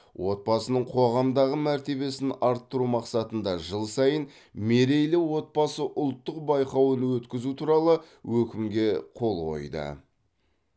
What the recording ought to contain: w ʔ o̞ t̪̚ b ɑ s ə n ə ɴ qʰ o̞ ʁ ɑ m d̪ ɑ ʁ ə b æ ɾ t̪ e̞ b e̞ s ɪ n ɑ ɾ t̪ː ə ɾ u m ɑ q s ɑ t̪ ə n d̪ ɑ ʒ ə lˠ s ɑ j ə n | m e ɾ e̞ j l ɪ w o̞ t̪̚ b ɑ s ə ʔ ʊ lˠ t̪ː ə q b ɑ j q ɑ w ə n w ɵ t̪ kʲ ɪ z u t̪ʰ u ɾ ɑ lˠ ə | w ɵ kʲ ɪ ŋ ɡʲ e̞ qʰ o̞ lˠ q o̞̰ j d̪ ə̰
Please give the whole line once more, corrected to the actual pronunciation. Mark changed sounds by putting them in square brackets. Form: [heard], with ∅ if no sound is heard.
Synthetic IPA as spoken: w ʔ o̞ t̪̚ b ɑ s ə n ə ɴ qʰ o̞ ʁ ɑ m d̪ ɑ ʁ ə [m] æ ɾ t̪ e̞ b e̞ s ɪ n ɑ ɾ t̪ː ə ɾ u m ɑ q s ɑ t̪ ə n d̪ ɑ ʒ ə lˠ s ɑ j ə n | m e ɾ e̞ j l ɪ w o̞ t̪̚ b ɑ s ə ʔ ʊ lˠ t̪ː ə q b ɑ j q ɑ w ə n w ɵ t̪ kʲ ɪ z u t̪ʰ u ɾ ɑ lˠ ə | w ɵ kʲ ɪ [m] ɡʲ e̞ qʰ o̞ lˠ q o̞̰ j d̪ ə̰